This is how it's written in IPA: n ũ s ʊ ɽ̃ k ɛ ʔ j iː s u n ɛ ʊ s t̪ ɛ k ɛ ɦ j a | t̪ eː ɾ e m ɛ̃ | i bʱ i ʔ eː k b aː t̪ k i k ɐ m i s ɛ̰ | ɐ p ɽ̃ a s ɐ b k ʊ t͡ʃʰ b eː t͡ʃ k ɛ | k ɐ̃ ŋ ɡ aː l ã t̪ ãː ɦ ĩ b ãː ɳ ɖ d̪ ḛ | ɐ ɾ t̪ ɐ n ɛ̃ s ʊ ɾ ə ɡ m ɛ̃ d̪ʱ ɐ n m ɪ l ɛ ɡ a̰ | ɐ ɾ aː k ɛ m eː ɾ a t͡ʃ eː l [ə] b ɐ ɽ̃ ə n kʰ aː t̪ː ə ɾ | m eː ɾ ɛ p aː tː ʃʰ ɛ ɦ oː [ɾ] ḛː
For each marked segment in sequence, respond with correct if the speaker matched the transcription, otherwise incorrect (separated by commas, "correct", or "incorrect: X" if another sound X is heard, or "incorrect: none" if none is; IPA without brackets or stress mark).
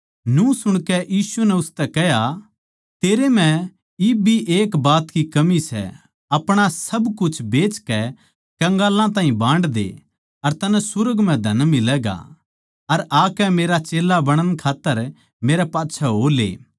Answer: incorrect: a, incorrect: l